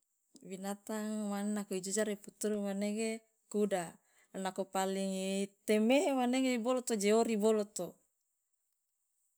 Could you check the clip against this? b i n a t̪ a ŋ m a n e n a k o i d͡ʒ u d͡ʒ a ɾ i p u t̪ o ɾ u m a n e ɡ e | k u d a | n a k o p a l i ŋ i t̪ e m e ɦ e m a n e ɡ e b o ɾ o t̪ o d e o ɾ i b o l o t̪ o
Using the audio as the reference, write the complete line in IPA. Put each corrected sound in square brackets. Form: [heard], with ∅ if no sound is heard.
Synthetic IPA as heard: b i n a t̪ a ŋ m a n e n a k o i d͡ʒ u d͡ʒ a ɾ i p u t̪ [u] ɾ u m a n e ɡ e | k u d a | n a k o p a l i ŋ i t̪ e m e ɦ e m a n e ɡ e b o [l] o t̪ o [d͡ʒ] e o ɾ i b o l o t̪ o

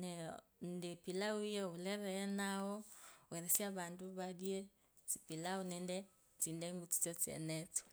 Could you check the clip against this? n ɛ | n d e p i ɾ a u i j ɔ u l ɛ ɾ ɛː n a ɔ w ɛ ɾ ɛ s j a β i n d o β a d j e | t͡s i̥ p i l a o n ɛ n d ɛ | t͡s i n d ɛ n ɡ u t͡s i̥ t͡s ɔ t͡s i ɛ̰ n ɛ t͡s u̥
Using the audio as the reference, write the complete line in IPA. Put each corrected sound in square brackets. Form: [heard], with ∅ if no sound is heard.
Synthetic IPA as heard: n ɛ | n d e p i [l] a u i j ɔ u l ɛ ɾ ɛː n a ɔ w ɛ ɾ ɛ s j a β [a] n d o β a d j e | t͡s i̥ p i l a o n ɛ n d ɛ | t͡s i n d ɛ [ŋ] ɡ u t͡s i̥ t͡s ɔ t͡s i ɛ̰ n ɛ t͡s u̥

